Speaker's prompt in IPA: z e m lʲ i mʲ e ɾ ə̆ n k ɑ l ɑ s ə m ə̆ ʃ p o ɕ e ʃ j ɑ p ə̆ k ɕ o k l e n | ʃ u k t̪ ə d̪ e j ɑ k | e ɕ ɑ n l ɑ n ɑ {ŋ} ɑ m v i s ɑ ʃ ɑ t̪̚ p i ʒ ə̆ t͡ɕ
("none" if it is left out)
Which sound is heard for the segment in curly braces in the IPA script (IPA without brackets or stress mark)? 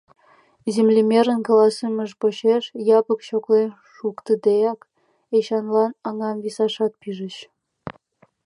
ŋ